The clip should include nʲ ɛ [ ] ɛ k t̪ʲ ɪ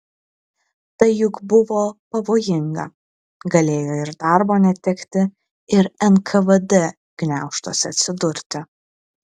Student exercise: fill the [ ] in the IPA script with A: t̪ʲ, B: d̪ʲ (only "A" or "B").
A